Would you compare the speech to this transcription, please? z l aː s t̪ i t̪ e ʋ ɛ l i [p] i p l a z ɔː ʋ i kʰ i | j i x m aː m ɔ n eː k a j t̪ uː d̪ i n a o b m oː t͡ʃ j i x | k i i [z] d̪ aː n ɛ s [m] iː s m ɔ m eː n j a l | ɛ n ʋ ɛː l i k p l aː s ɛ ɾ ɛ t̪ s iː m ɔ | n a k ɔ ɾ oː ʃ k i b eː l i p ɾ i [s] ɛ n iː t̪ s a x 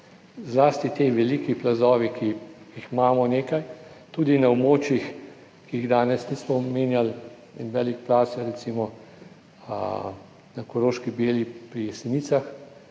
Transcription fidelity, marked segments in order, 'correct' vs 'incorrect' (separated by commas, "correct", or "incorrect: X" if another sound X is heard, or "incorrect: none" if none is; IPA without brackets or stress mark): incorrect: k, incorrect: ɣ, incorrect: n, correct